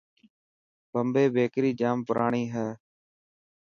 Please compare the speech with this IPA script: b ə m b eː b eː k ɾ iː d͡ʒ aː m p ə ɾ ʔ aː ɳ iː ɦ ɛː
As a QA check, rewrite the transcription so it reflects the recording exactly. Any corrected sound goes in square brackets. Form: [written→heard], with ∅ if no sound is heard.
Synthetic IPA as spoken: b ə m b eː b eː k ɾ iː d͡ʒ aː m p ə ɾ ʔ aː ɳ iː ɦ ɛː